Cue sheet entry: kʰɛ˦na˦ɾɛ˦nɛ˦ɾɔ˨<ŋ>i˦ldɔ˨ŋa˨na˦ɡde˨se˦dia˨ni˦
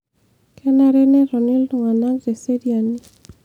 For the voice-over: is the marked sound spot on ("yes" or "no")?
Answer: no